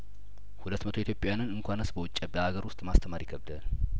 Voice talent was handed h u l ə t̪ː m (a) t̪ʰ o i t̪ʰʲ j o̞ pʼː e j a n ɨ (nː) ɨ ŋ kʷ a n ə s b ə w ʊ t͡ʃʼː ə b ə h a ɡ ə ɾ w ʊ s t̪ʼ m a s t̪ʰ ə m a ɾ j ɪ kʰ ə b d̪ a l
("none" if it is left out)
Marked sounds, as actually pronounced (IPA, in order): ə, n

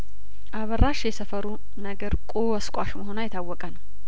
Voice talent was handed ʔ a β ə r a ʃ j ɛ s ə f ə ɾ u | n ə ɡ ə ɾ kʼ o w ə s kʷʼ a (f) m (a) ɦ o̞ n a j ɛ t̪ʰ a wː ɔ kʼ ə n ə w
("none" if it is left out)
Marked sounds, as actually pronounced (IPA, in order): ʃ, ə

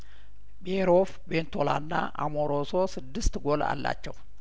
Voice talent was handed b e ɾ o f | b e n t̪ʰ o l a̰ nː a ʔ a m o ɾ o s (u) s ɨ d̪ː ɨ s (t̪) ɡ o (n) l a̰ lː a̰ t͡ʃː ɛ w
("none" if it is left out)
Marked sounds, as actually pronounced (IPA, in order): o, t̪, none

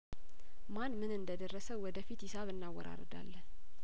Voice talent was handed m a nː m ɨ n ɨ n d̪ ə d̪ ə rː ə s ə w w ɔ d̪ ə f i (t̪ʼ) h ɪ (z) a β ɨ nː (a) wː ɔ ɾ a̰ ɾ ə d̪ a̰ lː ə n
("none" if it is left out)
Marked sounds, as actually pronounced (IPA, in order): t̪, s, a

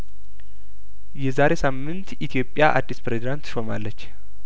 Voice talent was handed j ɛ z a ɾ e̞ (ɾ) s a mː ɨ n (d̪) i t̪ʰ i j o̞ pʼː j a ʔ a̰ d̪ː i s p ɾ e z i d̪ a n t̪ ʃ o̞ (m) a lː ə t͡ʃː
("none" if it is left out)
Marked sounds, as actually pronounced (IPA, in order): none, t̪, m

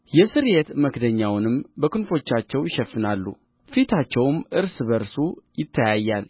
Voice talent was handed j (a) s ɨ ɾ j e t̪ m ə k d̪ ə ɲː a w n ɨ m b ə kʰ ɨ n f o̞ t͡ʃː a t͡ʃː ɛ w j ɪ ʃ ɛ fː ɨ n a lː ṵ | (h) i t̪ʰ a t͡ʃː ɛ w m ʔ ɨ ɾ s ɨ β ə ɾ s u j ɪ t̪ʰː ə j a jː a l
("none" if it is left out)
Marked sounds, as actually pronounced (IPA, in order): ɛ, f

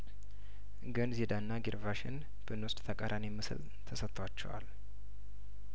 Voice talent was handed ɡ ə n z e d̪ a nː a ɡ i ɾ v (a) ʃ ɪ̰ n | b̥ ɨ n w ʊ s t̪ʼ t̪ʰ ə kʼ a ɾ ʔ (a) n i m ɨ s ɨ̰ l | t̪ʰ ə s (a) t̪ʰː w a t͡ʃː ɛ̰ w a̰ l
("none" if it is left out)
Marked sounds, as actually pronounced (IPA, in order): a, a, ə

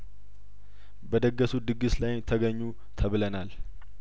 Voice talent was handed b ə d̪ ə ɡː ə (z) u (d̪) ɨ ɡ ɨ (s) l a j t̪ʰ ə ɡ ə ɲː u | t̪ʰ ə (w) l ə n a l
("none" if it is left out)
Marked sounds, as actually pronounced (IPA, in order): s, d̪, s, β

